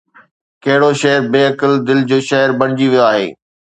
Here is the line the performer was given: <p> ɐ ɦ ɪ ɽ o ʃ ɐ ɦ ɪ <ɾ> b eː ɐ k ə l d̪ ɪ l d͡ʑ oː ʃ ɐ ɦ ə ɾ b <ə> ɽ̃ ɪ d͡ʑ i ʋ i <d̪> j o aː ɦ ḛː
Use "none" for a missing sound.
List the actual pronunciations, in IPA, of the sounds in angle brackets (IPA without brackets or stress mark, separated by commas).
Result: k, ɾ, ɐ, none